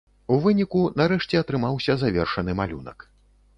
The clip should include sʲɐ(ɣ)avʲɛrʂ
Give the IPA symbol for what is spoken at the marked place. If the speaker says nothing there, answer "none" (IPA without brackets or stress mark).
z